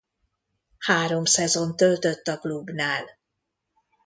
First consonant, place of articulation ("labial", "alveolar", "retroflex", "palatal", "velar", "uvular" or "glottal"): glottal